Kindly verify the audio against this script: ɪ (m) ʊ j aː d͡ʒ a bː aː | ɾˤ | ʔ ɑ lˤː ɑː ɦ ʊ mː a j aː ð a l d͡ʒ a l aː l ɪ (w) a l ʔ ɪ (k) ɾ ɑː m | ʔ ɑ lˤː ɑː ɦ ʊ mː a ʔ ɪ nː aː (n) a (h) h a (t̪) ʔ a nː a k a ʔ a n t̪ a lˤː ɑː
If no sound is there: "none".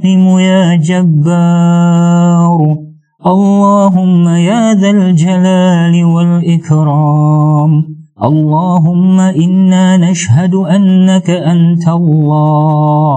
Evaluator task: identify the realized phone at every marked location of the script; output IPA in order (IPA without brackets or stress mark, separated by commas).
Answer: m, w, k, n, ʃ, d̪